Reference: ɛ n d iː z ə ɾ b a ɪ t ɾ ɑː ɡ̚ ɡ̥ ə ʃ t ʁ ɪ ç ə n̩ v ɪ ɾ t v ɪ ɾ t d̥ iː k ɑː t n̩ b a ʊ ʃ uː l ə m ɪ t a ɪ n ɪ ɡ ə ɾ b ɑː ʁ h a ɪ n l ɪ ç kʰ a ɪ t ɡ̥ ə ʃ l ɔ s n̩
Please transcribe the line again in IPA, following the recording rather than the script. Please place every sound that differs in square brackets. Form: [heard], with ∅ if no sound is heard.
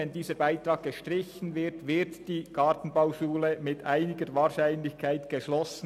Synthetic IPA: ɛ n d iː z ə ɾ b a ɪ t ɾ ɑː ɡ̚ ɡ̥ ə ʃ t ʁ ɪ ç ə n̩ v ɪ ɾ t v ɪ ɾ t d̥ iː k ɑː t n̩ b a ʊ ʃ uː l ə m ɪ t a ɪ n ɪ ɡ ə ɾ [v] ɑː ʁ [ʃ] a ɪ n l ɪ ç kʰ a ɪ t ɡ̥ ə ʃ l ɔ s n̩